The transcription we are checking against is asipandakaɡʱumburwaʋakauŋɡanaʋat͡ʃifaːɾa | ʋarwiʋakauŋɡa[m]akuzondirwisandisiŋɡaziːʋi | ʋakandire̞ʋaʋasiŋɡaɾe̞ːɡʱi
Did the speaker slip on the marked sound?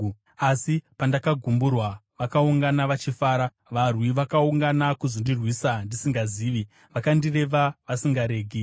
yes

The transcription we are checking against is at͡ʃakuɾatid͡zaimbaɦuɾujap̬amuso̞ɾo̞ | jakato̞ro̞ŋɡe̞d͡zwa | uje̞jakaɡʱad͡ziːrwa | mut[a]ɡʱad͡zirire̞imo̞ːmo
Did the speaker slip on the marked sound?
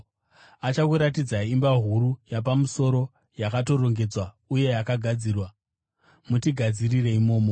yes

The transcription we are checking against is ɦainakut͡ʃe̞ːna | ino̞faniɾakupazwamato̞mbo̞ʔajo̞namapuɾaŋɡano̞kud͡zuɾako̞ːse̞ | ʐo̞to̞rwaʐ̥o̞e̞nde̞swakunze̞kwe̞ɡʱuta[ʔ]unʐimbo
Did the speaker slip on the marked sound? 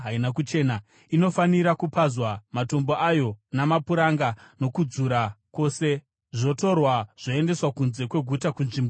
yes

